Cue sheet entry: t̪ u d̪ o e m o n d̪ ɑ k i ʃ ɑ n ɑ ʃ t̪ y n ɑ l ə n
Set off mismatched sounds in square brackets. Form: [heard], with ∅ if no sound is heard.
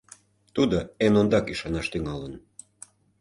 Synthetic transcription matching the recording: t̪ u d̪ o e [n] o n d̪ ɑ k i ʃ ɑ n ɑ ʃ t̪ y [ŋ] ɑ l ə n